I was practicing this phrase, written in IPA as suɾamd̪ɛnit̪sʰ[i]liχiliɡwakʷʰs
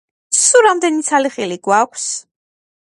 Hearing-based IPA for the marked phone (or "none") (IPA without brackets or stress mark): a